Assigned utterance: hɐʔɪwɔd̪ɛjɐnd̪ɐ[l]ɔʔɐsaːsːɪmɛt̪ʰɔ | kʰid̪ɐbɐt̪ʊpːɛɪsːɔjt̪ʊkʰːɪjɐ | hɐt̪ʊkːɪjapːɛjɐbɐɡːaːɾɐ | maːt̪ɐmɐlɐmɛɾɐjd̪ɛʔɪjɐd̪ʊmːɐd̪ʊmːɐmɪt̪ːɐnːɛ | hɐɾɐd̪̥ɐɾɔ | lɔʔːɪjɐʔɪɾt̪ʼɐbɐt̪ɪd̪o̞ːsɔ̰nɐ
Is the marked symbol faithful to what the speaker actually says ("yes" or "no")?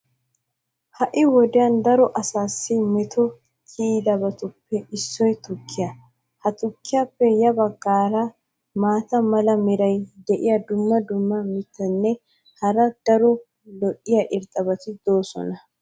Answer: no